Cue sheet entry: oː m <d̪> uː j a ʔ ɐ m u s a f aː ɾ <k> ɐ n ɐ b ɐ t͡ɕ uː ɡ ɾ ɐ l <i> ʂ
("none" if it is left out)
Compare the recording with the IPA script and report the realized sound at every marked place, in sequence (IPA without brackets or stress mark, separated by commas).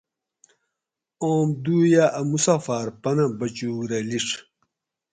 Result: d̪, p, i